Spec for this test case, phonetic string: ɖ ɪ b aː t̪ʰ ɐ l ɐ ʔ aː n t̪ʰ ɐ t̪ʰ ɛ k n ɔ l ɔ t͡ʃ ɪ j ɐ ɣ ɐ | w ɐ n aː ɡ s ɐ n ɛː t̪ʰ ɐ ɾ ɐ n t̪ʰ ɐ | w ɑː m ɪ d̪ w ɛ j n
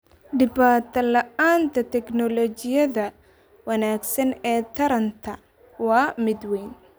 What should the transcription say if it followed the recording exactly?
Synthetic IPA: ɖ ɪ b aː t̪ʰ ɐ l ɐ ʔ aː n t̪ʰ ɐ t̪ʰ ɛ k n ɔ l ɔ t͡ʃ ɪ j ɐ ð ɐ | w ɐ n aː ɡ s ɐ n ɛː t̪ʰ ɐ ɾ ɐ n t̪ʰ ɐ | w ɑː m ɪ d̪ w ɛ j n